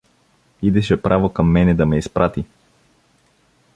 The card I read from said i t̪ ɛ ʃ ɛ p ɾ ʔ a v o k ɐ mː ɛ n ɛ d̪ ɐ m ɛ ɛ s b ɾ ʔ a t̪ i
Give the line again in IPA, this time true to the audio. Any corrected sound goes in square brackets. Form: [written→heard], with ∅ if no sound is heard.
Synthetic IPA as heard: i [t̪→d̪] ɛ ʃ ɛ p ɾ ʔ a v o k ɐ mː ɛ n ɛ d̪ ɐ m ɛ [ɛ→i] s [b→p] ɾ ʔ a t̪ i